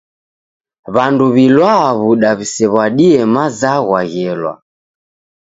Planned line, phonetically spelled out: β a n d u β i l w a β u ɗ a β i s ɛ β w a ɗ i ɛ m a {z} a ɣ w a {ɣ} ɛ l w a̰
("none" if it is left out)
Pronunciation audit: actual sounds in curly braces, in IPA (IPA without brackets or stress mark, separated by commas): z, ɣ